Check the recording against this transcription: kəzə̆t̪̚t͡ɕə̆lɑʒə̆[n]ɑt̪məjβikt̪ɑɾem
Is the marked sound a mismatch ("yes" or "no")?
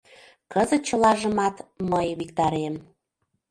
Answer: yes